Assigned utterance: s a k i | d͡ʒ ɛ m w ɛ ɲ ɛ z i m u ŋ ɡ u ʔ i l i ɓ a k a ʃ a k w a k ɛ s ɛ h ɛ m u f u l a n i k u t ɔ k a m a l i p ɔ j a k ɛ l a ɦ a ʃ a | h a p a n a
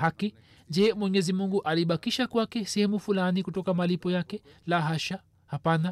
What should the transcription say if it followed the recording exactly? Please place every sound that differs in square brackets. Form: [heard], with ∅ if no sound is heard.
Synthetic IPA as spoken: [h] a k i | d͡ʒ ɛ m w ɛ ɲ ɛ z i m u ŋ ɡ u ʔ [a] l i ɓ a k [i] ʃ a k w a k ɛ s ɛ h ɛ m u f u l a n i k u t ɔ k a m a l i p ɔ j a k ɛ l a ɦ a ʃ a | h a p a n a